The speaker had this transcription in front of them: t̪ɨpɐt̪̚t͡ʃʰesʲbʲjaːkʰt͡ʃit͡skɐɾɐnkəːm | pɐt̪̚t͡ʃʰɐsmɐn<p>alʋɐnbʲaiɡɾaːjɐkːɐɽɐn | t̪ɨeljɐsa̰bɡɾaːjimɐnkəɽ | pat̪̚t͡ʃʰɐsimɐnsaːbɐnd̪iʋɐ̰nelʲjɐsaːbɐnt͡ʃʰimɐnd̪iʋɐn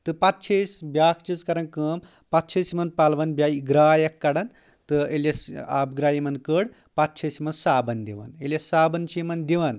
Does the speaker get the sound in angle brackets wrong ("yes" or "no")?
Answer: no